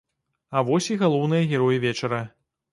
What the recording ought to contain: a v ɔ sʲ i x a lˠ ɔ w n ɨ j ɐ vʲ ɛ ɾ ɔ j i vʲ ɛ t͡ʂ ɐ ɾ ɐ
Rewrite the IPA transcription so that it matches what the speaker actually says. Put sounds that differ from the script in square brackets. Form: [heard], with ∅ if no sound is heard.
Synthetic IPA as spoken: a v ɔ sʲ i [ɣ] a lˠ ɔ w n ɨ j ɐ [ɣʲ] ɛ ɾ ɔ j i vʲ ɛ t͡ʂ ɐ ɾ ɐ